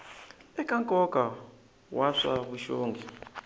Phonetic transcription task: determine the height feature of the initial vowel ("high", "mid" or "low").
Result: mid